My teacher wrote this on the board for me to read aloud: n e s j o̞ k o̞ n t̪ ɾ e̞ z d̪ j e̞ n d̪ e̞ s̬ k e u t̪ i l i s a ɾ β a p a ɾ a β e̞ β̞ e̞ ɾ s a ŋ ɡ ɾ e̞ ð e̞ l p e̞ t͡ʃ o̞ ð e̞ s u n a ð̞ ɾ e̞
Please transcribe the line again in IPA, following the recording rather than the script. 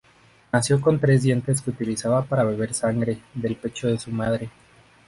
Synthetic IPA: n a s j o̞ k o̞ n t̪ ɾ e̞ z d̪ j e̞ n t̪ e̞ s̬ k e u t̪ i l i s a β a p a ɾ a β e̞ β̞ e̞ ɾ s a ŋ ɡ ɾ e̞ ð e̞ l p e̞ t͡ʃ o̞ ð e̞ s u m a ð̞ ɾ e̞